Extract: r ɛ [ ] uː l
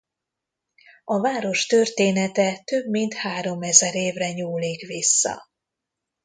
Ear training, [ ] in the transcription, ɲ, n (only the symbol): ɲ